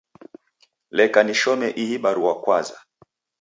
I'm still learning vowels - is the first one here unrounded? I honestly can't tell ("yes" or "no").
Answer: yes